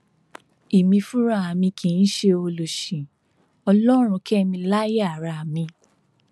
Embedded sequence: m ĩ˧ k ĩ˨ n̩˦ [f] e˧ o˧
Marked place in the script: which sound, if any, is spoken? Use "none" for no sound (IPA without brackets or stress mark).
ʃ